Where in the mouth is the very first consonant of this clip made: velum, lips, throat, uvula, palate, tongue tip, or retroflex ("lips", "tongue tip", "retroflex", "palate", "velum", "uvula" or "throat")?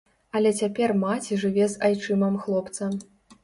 tongue tip